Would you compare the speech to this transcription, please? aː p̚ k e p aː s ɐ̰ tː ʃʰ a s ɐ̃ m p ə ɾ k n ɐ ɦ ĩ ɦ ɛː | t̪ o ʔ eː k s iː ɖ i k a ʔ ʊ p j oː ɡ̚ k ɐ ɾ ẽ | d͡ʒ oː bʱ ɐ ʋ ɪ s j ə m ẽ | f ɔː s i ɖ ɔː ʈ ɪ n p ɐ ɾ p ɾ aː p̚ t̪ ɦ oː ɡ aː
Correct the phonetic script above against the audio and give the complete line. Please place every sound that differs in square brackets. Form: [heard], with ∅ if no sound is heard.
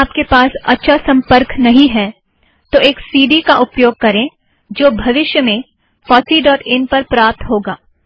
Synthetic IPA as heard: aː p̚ k e p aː s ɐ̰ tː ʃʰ a s ɐ̃ m p ə ɾ k n ɐ ɦ ĩ ɦ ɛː | t̪ o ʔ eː k s iː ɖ i k a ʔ ʊ p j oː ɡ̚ k ɐ ɾ ẽ | d͡ʒ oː bʱ ɐ ʋ ɪ [ʃ] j ə m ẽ | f ɔː s i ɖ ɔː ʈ ɪ n p ɐ ɾ p ɾ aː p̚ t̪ ɦ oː ɡ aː